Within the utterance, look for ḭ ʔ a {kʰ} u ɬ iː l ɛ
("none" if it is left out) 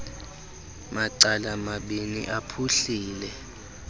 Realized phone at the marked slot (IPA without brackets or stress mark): pʰ